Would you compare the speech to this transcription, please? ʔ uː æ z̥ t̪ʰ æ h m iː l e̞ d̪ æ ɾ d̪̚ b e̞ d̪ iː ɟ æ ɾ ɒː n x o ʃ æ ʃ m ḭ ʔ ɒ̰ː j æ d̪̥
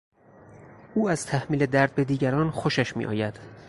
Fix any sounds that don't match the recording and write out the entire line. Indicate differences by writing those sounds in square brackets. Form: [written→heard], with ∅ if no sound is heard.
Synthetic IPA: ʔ uː æ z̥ t̪ʰ æ h m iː l e̞ d̪ æ ɾ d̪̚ b e̞ d̪ iː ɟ æ ɾ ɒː n x o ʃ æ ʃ m ḭ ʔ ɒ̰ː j æ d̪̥